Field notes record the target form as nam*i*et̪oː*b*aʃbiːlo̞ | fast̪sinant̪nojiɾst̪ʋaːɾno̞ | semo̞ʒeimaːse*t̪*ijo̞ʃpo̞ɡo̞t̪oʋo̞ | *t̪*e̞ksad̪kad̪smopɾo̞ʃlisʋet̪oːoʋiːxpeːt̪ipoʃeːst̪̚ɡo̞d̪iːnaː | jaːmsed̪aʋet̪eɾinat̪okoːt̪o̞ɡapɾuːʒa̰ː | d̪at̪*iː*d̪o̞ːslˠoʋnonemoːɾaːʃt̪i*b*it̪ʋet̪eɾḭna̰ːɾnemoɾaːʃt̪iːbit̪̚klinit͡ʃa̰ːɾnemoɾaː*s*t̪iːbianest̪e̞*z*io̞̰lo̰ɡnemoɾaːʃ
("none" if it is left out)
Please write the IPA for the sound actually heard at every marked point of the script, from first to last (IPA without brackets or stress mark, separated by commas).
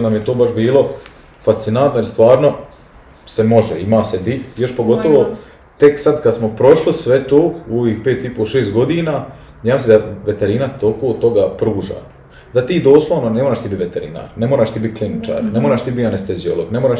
j, b, d̪, t̪, iː, b, ʃ, z